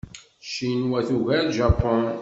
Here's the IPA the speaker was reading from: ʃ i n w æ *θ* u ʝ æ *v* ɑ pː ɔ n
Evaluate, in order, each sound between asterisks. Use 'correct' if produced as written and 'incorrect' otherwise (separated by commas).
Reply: correct, incorrect